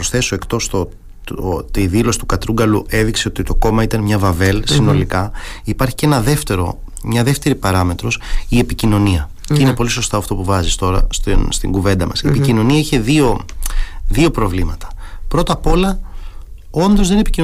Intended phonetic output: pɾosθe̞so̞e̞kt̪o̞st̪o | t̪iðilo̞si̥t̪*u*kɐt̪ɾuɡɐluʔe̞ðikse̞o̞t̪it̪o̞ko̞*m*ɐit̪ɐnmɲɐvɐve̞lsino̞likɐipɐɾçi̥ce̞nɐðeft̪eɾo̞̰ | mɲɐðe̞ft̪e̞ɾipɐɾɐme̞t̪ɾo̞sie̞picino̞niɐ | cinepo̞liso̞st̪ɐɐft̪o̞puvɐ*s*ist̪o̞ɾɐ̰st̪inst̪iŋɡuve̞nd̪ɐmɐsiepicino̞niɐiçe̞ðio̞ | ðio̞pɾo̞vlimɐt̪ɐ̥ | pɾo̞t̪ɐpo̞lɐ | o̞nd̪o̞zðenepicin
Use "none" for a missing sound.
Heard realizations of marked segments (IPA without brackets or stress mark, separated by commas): u, m, z